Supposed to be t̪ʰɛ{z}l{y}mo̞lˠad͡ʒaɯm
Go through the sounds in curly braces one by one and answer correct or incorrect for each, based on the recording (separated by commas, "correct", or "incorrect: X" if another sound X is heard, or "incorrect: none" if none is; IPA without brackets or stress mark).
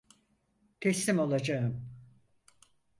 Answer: incorrect: s, incorrect: i